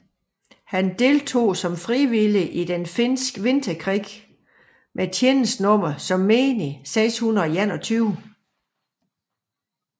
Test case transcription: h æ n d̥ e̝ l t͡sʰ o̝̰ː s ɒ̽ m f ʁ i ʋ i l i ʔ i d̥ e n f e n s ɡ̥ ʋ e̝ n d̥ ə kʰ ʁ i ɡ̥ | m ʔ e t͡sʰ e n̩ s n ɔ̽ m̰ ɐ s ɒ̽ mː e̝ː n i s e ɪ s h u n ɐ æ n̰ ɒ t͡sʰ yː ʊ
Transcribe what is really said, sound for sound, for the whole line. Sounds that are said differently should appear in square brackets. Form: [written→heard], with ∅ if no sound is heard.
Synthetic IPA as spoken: h æ n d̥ e̝ l t͡sʰ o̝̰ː s ɒ̽ m f ʁ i ʋ i l i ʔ i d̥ e n f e n s ɡ̥ ʋ e̝ n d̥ [ə→ɐ] kʰ ʁ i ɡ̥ | m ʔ e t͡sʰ e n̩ s n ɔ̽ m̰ ɐ s ɒ̽ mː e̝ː n i s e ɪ s h u n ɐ æ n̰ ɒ t͡sʰ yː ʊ